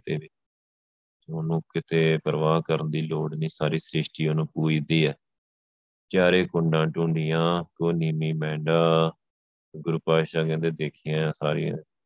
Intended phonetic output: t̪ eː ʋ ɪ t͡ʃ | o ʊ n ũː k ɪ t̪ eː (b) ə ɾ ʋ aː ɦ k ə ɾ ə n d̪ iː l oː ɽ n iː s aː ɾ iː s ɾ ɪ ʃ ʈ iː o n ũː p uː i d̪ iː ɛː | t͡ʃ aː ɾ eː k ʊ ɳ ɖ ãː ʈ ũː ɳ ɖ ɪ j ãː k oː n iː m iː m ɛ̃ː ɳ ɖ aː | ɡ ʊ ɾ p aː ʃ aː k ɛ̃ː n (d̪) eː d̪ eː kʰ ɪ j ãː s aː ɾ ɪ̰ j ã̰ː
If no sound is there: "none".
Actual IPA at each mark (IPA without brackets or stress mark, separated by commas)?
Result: p, d̪